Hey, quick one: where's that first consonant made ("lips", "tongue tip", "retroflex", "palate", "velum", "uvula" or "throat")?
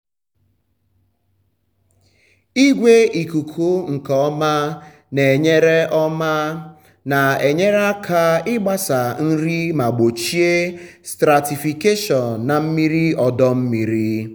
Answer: velum